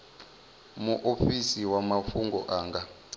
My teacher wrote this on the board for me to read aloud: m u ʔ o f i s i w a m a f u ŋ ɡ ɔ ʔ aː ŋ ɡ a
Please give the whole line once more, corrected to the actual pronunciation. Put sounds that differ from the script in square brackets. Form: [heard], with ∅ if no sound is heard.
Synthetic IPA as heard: m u ʔ o f i s i w a m a f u ŋ ɡ ɔ ʔ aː ŋ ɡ a